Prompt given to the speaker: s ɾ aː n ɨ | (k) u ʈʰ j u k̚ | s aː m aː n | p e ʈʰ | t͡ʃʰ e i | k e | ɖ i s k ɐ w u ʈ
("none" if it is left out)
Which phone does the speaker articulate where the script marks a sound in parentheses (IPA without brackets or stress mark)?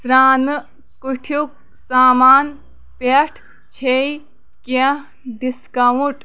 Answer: k